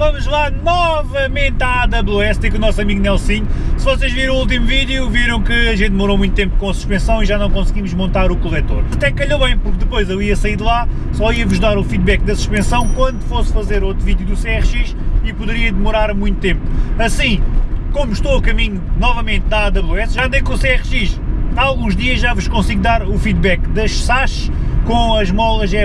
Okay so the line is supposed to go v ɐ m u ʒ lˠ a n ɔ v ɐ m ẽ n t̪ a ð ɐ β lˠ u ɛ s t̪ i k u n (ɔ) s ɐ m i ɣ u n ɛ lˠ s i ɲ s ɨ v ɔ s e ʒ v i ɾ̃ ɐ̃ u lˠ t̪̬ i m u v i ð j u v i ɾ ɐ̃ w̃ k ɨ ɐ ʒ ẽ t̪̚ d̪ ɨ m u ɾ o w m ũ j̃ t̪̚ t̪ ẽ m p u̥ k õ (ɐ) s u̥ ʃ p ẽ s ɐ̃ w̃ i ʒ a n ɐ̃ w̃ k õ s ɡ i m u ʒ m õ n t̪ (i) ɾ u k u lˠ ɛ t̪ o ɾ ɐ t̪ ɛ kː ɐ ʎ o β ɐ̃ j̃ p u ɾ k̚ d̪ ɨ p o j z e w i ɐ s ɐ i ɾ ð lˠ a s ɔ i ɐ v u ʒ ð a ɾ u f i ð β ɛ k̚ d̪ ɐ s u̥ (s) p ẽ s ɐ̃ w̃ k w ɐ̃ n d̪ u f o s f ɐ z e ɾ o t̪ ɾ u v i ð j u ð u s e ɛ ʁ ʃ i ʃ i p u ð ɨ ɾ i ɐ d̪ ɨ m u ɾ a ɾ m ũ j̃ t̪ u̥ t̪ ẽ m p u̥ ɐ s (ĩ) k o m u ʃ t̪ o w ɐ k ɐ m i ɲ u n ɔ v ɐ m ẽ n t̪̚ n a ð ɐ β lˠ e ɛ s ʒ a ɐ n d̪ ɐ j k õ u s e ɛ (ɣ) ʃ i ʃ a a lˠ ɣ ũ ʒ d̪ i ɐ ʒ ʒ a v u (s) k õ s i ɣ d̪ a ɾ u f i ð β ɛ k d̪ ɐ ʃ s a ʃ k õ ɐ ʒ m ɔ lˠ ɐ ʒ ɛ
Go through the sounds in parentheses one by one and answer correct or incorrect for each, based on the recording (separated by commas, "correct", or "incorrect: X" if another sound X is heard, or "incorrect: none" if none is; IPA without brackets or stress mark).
correct, correct, incorrect: a, incorrect: ʃ, correct, incorrect: ʁ, incorrect: ʃ